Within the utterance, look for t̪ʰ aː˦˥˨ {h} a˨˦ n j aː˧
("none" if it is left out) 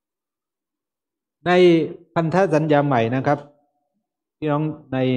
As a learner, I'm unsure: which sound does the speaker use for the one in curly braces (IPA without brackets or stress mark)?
s